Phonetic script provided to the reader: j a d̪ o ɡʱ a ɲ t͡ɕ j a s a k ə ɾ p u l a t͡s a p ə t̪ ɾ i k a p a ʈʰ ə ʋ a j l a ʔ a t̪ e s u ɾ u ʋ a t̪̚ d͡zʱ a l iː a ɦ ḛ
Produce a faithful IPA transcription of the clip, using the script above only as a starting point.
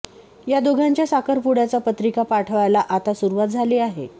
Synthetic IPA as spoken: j a d̪ o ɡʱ a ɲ t͡ɕ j a s a k ə ɾ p u ɽ a t͡s a p ə t̪ ɾ i k a p a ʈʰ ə ʋ a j l a ʔ a t̪ a s u ɾ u ʋ a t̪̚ d͡zʱ a l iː a ɦ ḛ